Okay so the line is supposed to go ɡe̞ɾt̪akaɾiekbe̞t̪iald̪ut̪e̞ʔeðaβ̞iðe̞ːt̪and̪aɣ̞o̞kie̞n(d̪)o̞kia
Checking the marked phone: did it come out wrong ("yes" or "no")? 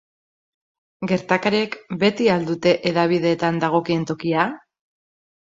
yes